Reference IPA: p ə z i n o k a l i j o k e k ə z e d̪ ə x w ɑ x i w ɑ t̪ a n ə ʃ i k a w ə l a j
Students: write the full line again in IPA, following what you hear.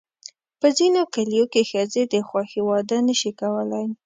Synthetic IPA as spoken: p ə z i n o k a l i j o k e x ə z e d̪ ə x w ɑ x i w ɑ d̪ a n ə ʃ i k a w ə l a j